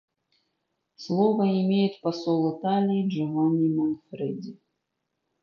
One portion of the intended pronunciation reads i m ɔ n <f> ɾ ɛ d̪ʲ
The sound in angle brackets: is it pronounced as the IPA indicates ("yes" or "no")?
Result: yes